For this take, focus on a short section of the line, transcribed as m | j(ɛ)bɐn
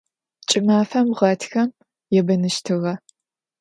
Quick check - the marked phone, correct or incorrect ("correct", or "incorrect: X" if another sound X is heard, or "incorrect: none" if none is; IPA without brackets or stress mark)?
correct